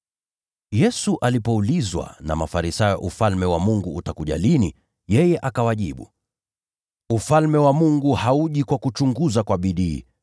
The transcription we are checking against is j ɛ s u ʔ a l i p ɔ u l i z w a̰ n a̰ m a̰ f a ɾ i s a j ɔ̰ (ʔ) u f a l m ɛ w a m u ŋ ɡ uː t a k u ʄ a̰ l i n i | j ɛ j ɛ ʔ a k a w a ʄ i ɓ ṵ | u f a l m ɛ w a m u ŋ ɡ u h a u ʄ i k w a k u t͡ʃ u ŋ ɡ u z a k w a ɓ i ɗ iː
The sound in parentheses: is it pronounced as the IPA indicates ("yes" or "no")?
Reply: yes